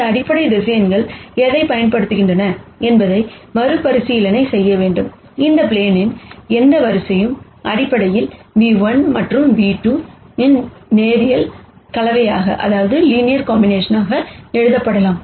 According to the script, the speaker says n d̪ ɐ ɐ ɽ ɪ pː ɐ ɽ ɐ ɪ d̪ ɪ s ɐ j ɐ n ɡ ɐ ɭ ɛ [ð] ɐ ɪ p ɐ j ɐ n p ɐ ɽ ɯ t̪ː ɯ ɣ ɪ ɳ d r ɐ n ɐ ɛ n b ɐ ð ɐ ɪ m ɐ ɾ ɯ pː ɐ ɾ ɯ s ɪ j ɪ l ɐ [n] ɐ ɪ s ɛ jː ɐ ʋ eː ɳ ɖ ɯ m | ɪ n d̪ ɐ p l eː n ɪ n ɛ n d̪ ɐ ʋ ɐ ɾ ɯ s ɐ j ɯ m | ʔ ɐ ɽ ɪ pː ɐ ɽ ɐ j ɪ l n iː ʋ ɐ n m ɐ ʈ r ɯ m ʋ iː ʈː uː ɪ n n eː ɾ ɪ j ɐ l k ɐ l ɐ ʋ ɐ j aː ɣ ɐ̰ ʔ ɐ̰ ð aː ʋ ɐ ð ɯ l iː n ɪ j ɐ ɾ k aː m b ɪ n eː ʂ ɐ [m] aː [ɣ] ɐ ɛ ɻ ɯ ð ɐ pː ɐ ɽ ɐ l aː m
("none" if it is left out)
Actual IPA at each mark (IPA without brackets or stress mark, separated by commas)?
ð, n, n, ɣ